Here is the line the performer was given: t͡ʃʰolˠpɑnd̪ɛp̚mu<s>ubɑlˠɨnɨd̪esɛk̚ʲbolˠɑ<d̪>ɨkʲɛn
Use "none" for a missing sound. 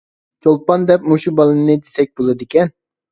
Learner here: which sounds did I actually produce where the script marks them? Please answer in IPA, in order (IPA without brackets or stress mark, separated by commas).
ʃ, d̪